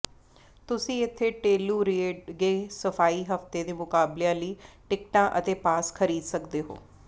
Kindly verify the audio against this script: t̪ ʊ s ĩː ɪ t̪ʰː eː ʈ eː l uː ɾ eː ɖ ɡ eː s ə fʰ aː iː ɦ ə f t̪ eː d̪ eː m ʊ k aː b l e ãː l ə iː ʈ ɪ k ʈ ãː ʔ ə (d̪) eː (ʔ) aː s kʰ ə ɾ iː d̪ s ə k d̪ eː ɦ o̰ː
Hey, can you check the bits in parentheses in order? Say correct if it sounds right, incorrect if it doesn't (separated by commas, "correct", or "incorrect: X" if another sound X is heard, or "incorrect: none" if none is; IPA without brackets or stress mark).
incorrect: t̪, incorrect: p